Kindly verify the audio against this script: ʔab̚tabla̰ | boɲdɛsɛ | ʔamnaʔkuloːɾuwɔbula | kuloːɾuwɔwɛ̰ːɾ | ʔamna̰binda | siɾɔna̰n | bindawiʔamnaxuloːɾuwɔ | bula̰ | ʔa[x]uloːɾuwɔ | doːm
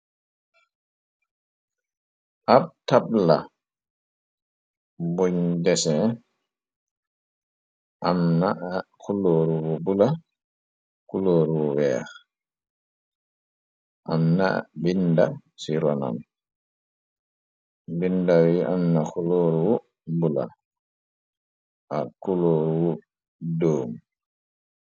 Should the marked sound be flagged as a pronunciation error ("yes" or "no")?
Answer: yes